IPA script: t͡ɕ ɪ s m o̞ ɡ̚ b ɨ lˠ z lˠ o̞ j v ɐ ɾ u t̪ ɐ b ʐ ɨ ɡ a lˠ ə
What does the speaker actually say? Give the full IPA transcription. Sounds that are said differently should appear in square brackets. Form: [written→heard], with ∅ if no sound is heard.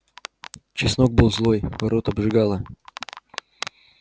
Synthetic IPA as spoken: t͡ɕ ɪ s [m→n] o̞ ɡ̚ b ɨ lˠ z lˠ o̞ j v ɐ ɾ [u→o] t̪ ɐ b ʐ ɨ ɡ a lˠ ə